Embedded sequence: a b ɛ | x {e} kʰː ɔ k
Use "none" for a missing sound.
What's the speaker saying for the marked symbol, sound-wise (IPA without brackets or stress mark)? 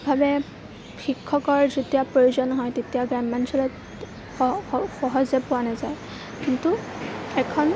i